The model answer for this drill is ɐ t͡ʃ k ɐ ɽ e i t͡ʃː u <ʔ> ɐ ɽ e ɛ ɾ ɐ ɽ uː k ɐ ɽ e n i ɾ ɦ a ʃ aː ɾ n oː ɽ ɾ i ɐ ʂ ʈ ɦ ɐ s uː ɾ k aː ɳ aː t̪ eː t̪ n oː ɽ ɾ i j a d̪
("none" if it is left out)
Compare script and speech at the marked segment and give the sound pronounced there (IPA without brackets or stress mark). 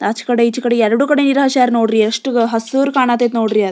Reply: k